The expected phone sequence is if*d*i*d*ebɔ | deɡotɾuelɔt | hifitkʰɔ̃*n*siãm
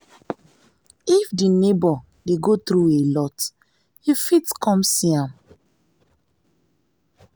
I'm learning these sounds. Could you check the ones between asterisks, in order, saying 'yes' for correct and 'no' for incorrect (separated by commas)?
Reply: yes, no, no